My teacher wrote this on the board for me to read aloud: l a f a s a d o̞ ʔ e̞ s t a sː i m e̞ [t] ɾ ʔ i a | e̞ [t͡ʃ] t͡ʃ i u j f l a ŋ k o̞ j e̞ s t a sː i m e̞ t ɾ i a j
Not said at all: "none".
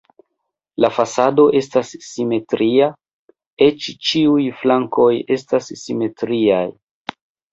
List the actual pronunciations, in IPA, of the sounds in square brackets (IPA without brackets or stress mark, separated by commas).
t, t͡ʃ